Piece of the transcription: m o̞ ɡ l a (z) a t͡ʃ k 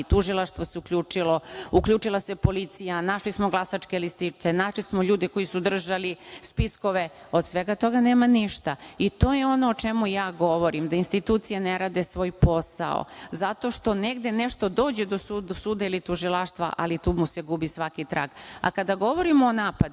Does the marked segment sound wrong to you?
yes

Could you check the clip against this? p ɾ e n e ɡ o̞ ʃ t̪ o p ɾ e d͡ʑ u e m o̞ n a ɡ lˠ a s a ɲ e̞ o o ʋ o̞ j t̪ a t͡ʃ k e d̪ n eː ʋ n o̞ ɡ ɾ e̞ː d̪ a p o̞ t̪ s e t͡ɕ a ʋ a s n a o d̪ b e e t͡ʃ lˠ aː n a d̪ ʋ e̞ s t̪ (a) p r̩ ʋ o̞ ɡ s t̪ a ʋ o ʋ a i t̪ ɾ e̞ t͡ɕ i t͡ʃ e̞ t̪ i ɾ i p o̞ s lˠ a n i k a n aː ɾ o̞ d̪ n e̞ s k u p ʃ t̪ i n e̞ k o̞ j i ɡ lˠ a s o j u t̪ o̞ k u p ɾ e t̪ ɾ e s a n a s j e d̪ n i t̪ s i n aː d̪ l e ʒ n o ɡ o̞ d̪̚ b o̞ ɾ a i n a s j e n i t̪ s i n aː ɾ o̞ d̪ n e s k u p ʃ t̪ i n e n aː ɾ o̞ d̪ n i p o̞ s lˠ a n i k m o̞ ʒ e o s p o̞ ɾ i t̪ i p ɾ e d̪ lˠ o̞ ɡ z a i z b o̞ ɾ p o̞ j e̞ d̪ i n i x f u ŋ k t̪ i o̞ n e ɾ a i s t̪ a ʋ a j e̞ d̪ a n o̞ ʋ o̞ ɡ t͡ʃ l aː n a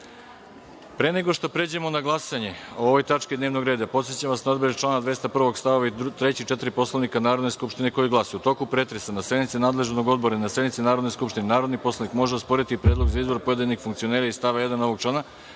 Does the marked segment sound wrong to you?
no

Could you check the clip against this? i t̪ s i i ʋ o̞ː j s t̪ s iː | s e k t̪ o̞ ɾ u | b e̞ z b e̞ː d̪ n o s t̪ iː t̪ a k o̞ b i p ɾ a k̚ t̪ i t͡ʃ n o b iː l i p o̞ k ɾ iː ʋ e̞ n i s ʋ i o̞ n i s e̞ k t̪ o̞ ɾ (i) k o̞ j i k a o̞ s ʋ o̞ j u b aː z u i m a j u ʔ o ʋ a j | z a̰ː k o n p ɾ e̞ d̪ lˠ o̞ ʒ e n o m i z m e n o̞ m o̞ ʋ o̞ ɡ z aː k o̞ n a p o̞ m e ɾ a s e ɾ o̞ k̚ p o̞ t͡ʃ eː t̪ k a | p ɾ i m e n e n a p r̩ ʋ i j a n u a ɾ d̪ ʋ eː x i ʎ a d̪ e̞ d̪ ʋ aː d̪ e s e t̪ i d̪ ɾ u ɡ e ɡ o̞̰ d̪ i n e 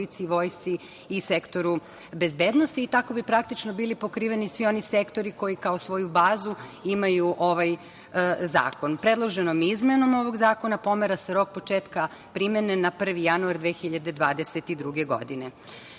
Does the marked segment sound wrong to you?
no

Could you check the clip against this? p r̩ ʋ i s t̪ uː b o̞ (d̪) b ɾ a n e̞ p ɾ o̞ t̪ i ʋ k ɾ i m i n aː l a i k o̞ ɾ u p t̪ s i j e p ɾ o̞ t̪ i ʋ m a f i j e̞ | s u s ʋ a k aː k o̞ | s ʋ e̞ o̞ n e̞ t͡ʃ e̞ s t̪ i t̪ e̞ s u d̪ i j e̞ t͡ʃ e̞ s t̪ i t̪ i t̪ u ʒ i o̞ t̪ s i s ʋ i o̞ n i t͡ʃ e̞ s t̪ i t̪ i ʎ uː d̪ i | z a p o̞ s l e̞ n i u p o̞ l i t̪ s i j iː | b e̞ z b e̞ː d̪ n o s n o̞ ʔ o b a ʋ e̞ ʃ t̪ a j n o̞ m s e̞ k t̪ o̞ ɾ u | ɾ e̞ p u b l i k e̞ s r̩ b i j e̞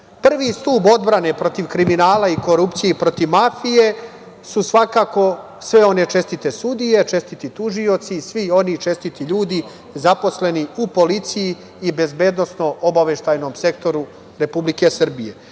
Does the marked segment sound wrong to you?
no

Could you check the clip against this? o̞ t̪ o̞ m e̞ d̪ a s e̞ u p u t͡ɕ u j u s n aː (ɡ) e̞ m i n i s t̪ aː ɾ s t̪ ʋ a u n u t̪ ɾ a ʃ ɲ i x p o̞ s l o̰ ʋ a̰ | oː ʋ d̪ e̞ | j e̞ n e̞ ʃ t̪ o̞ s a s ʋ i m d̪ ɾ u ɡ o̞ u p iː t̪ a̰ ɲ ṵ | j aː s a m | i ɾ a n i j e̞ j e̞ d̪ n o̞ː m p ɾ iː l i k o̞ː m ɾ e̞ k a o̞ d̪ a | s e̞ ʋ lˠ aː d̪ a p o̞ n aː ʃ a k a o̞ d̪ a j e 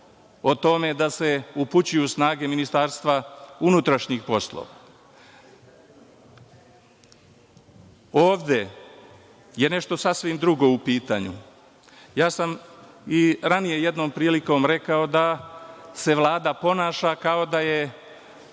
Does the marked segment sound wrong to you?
no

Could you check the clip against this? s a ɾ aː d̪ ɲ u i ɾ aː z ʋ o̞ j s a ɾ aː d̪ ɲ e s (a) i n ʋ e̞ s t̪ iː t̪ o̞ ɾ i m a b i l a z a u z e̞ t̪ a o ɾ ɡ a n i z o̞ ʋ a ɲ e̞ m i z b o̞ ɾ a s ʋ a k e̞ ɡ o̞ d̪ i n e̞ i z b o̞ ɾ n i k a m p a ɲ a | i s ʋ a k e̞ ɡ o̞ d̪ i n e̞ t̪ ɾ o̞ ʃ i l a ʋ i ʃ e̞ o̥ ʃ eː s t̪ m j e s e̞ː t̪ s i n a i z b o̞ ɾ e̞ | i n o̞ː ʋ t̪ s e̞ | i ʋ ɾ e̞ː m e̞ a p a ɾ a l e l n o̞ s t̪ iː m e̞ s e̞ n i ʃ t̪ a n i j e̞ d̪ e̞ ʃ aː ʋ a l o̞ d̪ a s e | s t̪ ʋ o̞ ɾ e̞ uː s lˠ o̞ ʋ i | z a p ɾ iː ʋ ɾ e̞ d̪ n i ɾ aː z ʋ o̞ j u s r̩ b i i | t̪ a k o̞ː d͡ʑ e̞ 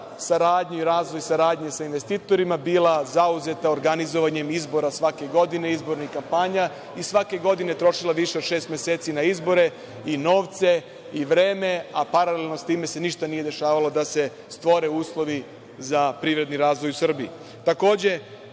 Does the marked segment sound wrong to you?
no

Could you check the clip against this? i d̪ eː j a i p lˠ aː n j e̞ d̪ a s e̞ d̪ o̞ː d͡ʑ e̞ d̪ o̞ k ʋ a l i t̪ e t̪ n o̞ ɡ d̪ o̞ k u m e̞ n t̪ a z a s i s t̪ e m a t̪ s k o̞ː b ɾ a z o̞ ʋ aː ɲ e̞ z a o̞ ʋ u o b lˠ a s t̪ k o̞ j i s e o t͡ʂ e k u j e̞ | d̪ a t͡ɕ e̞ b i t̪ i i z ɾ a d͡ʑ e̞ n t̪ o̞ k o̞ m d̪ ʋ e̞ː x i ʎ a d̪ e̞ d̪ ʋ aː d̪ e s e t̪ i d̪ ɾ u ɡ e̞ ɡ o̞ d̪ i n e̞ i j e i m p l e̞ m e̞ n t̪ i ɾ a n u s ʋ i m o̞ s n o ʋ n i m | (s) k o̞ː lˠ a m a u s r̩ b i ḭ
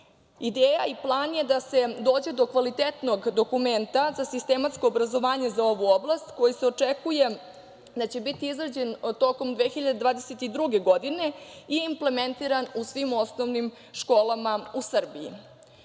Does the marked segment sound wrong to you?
yes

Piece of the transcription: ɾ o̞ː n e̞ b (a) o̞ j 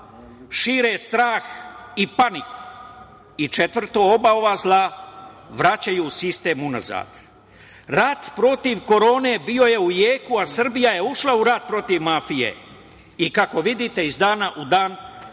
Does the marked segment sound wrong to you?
yes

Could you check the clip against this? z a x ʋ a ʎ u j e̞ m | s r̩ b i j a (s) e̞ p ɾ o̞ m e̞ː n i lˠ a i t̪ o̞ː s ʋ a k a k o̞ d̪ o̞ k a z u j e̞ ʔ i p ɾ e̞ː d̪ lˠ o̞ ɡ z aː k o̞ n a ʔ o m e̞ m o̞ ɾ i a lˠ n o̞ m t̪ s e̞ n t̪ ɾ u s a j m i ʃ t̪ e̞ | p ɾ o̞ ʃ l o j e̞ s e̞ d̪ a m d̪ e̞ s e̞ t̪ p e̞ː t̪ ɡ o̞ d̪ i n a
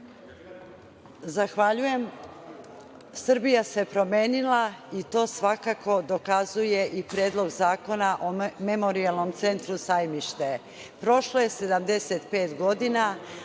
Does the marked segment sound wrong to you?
no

